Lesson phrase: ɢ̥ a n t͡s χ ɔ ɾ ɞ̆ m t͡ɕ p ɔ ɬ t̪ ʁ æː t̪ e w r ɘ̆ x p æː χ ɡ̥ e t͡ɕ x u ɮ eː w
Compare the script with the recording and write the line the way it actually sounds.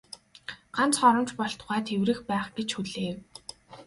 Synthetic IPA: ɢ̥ a n t͡s χ ɔ ɾ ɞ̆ m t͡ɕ p ɔ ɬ t̪ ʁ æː t̪ʰ e w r ɘ̆ x p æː χ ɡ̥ e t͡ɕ x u ɮ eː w

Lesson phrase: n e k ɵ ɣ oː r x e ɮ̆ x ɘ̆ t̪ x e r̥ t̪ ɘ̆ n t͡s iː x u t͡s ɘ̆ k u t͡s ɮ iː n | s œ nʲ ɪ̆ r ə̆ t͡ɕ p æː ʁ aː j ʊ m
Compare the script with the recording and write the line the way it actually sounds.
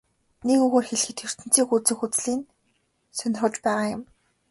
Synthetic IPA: n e k ɵ ɣ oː r x e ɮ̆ x ɘ̆ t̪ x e r̥ t̪ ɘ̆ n t͡s iː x u t͡s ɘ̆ x u t͡s ɮ iː n | s œ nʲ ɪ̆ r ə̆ t͡ɕ p æː ʁ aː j ʊ m

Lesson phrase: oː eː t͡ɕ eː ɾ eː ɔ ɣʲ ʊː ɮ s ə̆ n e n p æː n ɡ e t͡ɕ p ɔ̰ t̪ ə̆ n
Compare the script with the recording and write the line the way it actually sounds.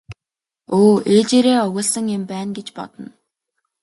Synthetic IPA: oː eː t͡ɕ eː ɾ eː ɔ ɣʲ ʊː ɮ s ə̆ ŋ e m p æː n ɡ e t͡ɕ p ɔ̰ t̪ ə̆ n

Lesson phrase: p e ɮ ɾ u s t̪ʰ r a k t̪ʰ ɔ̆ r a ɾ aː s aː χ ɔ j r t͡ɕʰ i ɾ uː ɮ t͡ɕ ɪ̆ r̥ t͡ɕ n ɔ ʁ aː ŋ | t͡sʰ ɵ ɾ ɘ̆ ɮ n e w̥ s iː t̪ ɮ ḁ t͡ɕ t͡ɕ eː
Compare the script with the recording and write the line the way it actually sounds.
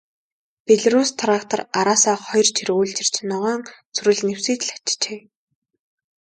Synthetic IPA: p e ɮ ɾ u s t̪ʰ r a k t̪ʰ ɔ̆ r a ɾ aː s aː χ ɔ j r t͡ɕʰ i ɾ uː ɮ t͡ɕ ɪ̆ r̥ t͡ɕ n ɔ ʁ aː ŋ | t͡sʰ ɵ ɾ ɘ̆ ɮ n e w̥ s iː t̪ ɮ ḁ t͡ɕ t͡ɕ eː

